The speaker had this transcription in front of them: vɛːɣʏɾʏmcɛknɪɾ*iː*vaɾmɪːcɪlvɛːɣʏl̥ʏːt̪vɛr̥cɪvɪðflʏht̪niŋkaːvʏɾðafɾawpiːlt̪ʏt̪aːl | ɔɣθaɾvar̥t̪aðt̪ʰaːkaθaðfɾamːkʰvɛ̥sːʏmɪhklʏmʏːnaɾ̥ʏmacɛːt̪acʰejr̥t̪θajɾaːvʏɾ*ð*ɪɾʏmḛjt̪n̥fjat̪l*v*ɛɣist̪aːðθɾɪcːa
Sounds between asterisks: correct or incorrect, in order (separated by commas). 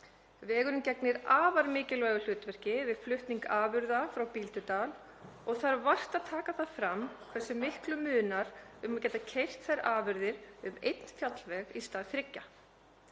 incorrect, correct, correct